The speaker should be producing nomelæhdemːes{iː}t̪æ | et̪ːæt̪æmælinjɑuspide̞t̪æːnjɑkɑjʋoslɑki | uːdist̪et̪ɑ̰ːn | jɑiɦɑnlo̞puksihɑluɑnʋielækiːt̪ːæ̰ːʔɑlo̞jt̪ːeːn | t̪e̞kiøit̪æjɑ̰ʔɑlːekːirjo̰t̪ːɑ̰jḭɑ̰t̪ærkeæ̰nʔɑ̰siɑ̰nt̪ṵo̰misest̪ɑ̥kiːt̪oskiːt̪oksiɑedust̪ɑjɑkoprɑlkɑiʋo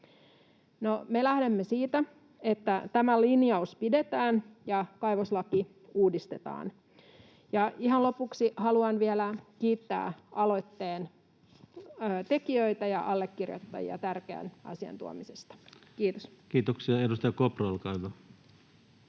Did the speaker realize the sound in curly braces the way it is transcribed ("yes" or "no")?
yes